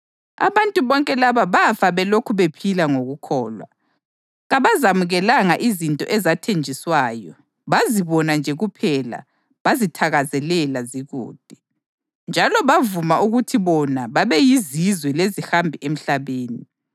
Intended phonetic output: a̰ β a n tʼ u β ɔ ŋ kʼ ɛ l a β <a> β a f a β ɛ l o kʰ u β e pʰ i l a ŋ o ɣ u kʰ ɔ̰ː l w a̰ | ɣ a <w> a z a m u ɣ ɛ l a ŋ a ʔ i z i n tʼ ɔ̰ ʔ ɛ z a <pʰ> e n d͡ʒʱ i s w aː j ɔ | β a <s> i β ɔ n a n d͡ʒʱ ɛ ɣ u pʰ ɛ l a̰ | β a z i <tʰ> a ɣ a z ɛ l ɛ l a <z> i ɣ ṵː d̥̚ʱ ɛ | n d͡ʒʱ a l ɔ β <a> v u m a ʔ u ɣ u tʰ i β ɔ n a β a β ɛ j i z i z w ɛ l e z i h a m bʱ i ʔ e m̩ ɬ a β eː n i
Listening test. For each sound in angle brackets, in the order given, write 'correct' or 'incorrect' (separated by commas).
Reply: correct, incorrect, incorrect, incorrect, correct, correct, correct